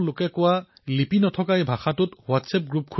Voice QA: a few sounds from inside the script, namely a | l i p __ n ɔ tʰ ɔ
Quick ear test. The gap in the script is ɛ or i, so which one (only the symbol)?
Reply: i